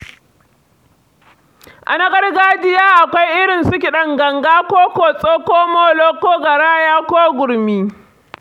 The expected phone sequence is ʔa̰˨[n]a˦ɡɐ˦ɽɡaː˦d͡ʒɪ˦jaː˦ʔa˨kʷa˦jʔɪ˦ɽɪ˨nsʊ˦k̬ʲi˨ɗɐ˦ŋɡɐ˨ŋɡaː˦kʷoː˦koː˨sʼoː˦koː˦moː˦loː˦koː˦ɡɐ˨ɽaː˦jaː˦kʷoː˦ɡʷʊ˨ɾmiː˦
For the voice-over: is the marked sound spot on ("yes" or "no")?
yes